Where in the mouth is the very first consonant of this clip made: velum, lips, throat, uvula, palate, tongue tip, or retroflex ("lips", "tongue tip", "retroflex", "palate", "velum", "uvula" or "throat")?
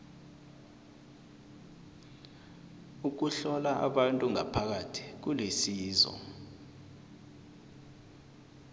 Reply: velum